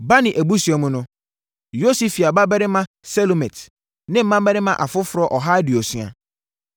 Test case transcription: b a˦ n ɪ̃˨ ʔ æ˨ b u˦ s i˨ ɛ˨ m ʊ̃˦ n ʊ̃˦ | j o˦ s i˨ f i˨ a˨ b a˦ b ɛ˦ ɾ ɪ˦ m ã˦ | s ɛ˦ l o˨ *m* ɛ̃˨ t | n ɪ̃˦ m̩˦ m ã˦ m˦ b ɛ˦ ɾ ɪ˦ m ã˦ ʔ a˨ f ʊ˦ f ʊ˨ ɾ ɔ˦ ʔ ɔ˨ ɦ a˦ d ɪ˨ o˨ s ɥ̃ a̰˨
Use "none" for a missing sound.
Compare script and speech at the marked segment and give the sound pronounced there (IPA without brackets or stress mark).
m